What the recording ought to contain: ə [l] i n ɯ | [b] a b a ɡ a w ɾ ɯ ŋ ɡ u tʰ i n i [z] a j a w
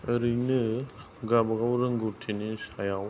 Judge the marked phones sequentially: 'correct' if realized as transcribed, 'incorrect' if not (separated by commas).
incorrect, incorrect, incorrect